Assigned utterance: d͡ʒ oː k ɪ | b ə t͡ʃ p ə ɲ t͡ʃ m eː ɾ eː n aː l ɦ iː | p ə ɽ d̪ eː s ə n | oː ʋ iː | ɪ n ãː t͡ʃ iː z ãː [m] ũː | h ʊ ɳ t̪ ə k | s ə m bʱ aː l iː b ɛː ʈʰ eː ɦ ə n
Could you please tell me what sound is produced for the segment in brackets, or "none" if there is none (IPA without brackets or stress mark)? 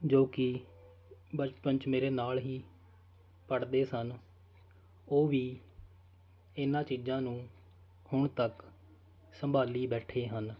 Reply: n